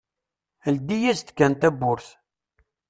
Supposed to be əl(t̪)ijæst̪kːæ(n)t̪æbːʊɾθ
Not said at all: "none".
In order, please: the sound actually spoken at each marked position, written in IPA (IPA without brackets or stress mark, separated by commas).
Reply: d̪, n